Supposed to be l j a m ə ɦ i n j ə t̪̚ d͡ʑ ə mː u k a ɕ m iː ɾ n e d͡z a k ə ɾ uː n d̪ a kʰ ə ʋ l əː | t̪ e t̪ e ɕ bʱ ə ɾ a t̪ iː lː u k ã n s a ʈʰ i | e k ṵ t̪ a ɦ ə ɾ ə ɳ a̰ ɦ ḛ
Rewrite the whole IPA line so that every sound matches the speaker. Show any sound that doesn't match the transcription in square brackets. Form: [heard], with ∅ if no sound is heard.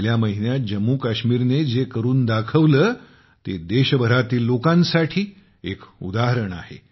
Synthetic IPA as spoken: l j a m ə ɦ i n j [a] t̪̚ d͡ʑ ə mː u k a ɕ m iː ɾ n e d͡z [e] k ə ɾ uː n d̪ a kʰ ə ʋ l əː | t̪ e [d̪] e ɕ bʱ ə ɾ a t̪ iː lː [o] k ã n s a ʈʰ [iː] | e k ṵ [d̪] a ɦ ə ɾ ə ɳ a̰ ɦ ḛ